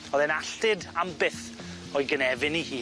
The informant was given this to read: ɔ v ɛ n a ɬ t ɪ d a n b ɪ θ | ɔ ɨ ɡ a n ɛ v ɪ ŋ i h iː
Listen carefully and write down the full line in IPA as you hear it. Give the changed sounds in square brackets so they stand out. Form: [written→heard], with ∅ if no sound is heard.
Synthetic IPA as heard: ɔ [v→ð] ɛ n a ɬ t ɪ d a [n→m] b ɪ θ | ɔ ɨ ɡ [a→ə] n ɛ v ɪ [ŋ→n] i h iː